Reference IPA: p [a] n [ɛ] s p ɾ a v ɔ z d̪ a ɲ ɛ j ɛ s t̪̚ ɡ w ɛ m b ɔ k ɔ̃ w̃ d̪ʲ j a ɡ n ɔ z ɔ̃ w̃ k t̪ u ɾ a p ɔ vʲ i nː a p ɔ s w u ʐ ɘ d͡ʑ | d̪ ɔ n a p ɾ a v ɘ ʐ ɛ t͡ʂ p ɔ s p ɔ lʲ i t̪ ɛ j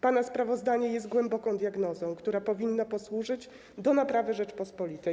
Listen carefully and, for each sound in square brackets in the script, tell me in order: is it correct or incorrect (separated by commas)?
correct, incorrect